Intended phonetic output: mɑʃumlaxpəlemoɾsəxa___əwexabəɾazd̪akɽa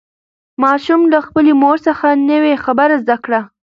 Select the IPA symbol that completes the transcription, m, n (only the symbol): n